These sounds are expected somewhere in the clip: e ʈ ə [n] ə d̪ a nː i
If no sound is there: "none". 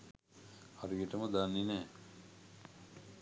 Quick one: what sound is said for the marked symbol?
m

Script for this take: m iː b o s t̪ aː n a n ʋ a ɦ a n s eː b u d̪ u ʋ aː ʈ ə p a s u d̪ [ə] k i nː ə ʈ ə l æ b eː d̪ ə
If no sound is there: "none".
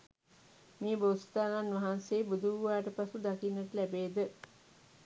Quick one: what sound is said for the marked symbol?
a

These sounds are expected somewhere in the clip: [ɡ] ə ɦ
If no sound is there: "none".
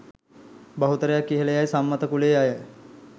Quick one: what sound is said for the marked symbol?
b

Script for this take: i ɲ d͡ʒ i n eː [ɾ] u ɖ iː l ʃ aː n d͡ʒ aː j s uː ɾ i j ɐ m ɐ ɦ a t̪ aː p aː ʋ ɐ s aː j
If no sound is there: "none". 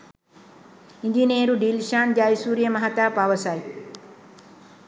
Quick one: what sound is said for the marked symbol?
ɾ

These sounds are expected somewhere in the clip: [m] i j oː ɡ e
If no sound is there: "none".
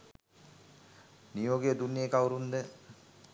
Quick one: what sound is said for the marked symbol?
n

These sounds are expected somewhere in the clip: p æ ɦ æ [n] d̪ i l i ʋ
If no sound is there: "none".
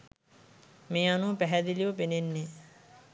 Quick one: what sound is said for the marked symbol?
none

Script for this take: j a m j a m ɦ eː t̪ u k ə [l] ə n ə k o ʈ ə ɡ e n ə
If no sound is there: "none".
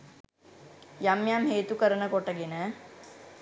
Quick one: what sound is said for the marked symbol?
ɾ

